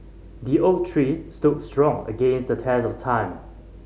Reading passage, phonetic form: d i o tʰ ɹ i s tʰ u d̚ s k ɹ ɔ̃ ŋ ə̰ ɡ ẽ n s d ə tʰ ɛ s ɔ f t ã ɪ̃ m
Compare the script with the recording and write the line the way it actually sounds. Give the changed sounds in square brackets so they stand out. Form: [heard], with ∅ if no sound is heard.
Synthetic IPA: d i o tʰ ɹ i s [t] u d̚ s [t] ɹ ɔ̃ ŋ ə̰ ɡ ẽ n s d ə tʰ ɛ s ɔ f [tʰ] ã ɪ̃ m